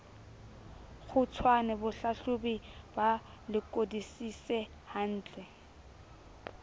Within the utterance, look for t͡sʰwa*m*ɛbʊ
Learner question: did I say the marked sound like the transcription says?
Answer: no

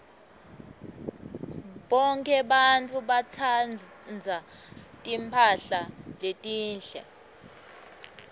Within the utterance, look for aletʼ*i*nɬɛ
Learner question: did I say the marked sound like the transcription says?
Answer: no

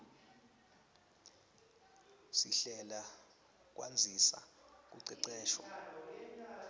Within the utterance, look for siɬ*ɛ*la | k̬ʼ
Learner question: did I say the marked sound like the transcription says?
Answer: yes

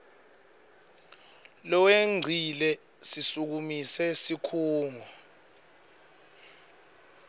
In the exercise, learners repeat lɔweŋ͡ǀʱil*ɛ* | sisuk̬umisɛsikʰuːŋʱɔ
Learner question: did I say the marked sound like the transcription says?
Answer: yes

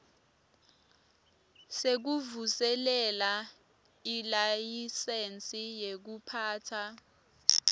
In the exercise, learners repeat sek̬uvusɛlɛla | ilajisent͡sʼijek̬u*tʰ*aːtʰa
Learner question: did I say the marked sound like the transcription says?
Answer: no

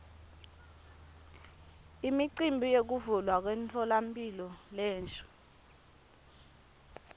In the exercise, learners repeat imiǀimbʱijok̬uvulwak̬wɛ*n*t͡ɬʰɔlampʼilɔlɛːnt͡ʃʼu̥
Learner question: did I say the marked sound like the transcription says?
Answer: yes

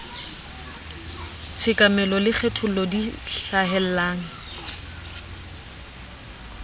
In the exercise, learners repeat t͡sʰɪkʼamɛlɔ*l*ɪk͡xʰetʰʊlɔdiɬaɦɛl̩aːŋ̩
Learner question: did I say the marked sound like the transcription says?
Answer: yes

